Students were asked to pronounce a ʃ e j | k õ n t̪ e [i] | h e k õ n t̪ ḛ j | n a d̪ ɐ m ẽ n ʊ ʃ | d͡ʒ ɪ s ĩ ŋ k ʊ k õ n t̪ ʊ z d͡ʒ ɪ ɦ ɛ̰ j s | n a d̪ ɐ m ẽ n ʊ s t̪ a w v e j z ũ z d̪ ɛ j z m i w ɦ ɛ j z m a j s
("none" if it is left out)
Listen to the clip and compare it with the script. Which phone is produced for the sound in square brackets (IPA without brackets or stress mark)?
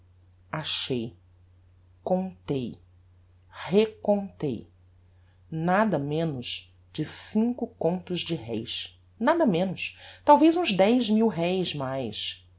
j